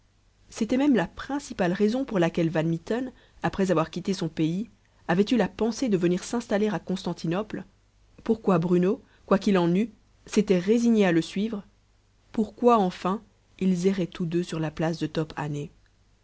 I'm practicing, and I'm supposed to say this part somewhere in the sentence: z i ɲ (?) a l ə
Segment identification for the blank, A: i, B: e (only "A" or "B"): B